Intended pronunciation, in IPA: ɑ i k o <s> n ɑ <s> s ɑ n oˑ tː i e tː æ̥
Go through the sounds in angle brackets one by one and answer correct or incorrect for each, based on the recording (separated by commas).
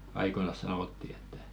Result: incorrect, correct